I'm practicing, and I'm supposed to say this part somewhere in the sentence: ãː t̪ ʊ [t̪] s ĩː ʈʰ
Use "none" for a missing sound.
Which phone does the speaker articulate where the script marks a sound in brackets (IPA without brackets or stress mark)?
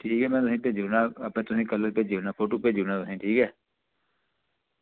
none